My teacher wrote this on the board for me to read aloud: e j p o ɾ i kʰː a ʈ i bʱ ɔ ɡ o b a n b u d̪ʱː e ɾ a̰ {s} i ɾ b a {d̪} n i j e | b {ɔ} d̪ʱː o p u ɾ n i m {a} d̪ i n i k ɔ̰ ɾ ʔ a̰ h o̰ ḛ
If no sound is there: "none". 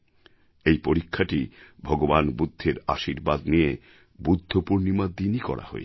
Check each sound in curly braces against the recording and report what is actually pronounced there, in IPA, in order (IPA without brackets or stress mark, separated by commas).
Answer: ʃ, d̪, u, a